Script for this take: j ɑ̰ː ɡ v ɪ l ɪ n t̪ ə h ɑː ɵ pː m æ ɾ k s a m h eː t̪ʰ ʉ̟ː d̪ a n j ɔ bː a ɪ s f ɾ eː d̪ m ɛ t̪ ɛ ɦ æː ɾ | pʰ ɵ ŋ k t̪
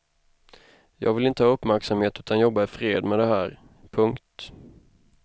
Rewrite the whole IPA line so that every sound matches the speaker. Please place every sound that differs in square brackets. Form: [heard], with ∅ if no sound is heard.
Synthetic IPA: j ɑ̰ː ɡ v ɪ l ɪ n t̪ ə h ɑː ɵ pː m æ ɾ k s a m h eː [t̪] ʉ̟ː [t̪] a n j ɔ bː a ɪ [∅] f ɾ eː d̪ m ɛ [d̪] ɛ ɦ æː ɾ | pʰ ɵ ŋ k t̪